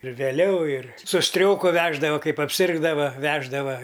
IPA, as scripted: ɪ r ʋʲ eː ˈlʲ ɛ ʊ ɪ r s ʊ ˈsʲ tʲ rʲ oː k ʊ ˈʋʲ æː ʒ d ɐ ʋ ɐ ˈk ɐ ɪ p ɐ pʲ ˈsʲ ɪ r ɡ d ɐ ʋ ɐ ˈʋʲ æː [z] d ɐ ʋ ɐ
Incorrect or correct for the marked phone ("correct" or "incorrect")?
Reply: incorrect